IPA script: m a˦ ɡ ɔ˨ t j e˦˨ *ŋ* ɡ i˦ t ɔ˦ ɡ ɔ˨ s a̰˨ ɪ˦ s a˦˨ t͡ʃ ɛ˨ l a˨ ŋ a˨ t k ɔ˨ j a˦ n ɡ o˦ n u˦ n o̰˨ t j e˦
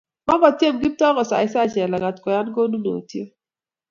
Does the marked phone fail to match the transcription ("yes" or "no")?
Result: yes